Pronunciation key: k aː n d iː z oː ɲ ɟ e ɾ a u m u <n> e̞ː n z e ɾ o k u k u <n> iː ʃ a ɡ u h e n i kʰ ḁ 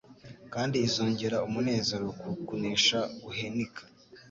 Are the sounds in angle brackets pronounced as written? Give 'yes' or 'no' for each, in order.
yes, yes

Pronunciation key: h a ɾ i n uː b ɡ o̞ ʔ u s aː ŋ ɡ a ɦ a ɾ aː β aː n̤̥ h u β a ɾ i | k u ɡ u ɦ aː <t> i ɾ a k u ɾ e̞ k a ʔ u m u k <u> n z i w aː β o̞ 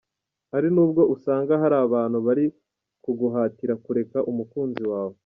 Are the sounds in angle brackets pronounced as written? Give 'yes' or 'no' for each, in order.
yes, no

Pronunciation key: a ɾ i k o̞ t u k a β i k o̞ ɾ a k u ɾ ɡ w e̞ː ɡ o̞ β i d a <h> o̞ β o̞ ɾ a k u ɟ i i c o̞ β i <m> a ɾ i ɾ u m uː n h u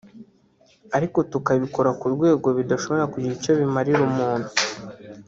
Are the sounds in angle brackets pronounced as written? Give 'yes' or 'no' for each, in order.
no, yes

